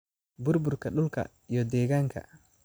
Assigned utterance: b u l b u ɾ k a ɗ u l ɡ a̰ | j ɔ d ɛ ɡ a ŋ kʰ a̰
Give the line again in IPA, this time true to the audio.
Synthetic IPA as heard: b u ɾ b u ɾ k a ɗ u l k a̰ | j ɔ d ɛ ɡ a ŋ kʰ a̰